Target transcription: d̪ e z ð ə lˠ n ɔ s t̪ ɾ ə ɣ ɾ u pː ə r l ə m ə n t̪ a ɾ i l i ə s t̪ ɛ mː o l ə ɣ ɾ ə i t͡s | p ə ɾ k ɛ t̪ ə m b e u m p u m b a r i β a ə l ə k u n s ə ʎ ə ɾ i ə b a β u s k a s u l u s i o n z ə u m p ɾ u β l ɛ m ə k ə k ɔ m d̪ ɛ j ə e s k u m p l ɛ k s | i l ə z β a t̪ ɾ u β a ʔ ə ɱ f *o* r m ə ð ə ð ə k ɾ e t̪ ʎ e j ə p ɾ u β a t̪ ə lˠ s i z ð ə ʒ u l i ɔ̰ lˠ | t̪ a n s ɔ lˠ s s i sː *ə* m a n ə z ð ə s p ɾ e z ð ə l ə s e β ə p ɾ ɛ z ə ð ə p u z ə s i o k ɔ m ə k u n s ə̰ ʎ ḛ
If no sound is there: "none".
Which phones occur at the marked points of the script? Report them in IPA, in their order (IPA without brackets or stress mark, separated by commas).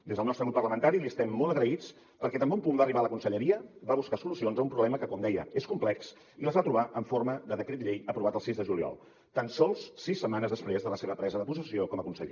o, ə